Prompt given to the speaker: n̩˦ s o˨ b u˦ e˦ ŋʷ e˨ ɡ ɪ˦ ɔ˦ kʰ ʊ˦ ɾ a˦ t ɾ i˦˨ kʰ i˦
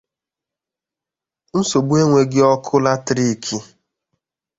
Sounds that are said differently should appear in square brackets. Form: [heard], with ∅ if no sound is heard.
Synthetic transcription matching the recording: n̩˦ s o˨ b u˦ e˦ ŋʷ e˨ ɡ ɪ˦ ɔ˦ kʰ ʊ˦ [l] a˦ t ɾ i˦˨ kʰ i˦